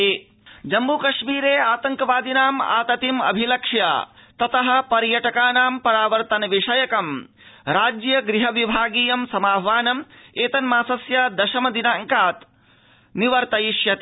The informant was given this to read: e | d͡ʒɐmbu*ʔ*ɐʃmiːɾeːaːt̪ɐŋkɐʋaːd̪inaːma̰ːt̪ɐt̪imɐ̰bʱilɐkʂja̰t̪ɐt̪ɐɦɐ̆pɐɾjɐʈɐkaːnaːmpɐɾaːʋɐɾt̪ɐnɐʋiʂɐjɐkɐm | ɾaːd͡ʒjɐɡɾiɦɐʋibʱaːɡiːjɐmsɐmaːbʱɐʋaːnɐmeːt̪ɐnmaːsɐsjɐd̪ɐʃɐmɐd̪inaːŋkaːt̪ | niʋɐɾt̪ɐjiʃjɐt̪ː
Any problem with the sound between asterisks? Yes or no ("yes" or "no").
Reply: yes